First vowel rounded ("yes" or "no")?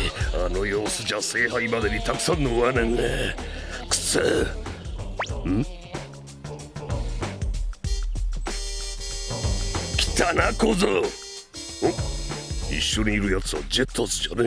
no